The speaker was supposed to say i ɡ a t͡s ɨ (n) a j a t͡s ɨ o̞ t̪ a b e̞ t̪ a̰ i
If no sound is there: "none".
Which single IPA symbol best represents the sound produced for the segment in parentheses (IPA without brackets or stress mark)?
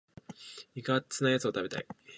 n